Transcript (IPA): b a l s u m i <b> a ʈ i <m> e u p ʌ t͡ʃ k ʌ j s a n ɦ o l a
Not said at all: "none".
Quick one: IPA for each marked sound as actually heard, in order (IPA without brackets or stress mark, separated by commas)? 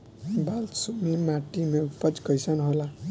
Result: m, m